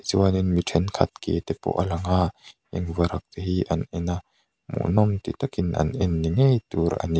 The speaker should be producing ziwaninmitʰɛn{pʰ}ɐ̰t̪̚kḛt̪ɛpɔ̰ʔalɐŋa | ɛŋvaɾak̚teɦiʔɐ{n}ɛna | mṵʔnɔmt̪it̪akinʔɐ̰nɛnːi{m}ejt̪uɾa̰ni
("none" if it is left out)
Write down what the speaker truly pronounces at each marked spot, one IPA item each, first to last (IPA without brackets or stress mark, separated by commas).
kʰ, n, ŋ